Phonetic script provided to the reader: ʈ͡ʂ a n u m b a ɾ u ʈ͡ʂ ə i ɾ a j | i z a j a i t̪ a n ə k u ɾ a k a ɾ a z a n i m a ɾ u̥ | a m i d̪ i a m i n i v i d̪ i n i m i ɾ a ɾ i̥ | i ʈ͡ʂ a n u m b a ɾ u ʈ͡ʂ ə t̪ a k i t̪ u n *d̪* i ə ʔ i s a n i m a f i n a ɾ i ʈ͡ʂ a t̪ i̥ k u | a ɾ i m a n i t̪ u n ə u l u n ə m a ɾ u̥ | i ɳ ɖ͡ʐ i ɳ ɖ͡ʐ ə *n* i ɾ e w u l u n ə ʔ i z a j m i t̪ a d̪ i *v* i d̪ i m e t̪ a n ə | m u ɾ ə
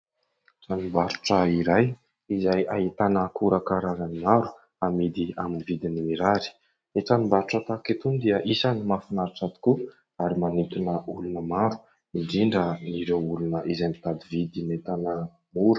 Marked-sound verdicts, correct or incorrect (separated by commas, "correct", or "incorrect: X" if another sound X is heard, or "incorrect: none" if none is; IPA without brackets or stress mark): correct, correct, correct